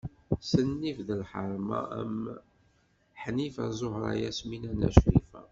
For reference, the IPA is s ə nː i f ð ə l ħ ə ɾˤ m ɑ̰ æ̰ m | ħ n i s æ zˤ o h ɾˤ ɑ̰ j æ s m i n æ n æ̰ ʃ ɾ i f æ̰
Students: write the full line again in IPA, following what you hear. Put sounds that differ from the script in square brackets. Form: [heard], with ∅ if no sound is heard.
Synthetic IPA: s ə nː i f ð ə l ħ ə ɾˤ m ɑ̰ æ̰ m | ħ n i [f] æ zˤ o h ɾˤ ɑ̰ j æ s m i n æ n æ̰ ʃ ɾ i f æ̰